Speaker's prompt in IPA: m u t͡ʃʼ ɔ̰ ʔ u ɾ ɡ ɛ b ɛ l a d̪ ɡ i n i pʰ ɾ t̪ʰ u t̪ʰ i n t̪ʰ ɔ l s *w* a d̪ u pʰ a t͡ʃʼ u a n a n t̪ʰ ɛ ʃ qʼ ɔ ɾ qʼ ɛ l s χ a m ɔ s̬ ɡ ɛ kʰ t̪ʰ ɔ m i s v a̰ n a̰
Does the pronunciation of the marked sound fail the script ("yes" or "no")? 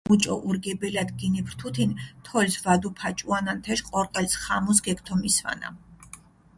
yes